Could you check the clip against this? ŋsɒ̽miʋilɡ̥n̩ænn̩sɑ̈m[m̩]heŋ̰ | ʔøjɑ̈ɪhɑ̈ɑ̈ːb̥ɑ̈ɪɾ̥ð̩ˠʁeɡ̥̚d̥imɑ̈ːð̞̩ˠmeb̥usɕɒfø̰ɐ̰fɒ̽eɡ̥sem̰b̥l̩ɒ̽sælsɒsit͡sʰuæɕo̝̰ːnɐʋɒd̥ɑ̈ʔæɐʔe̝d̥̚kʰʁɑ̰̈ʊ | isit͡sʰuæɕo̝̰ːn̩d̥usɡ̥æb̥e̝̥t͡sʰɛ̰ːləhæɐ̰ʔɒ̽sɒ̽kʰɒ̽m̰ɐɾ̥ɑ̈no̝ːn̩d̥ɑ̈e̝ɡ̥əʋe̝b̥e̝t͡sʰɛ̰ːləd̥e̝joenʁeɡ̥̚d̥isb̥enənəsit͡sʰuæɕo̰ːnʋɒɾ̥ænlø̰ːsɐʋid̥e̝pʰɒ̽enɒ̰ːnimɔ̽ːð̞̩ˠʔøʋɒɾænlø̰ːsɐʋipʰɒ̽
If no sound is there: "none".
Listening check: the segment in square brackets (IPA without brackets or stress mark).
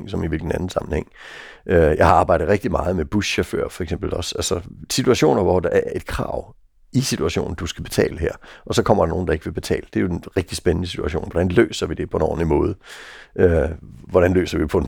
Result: n̩